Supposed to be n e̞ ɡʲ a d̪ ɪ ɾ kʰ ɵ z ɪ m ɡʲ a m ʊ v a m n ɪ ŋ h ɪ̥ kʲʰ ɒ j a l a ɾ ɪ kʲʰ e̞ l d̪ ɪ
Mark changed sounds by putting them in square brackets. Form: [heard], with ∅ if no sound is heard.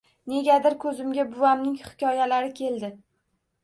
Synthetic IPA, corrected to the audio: n e̞ ɡʲ a d̪ ɪ ɾ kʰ ɵ z ɪ m ɡʲ a [b] ʊ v a m n ɪ ŋ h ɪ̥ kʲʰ ɒ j a l a ɾ ɪ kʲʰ e̞ l d̪ ɪ